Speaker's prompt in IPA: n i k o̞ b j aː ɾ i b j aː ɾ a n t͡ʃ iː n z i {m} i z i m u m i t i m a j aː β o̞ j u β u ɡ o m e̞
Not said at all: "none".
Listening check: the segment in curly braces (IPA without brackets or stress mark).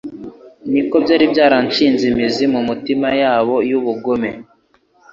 m